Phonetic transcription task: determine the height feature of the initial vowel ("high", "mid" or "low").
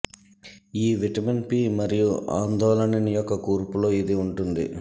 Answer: high